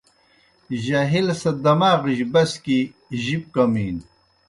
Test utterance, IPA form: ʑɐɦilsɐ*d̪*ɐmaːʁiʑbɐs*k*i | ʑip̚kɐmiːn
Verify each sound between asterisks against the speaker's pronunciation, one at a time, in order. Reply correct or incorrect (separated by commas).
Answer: correct, correct